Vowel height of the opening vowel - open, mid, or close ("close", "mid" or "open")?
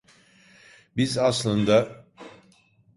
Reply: close